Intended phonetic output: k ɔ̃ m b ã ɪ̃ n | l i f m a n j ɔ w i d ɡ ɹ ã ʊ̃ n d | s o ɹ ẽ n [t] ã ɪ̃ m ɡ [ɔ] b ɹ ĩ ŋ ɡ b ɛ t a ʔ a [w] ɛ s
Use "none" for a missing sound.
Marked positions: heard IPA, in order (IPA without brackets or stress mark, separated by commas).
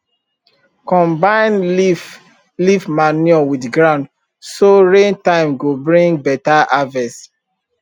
t, o, v